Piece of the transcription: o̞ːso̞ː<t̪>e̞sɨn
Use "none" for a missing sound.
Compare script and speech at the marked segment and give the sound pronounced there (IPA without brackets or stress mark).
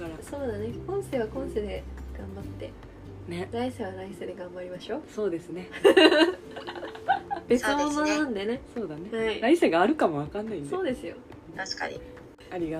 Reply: d̪